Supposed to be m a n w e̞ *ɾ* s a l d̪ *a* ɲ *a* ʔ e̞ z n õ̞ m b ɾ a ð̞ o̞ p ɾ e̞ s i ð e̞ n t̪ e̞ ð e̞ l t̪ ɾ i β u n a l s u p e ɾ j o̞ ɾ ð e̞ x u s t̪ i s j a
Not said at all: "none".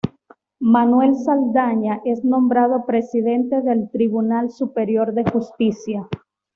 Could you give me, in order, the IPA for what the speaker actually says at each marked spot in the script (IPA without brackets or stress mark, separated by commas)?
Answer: l, a, a